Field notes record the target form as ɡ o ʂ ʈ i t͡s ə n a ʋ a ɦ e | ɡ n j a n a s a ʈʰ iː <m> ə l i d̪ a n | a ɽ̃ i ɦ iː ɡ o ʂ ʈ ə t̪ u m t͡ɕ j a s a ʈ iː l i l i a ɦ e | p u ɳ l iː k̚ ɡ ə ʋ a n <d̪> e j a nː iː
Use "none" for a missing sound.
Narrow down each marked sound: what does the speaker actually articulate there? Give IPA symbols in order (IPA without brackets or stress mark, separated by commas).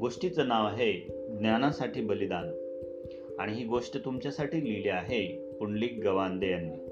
b, d̪